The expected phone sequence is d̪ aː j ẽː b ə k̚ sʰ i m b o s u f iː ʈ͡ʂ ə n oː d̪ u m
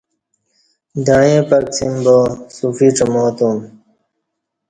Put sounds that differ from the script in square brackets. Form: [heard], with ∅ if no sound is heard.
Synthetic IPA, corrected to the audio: d̪ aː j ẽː [p] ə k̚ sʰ i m b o s u f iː ʈ͡ʂ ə [m] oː [t̪] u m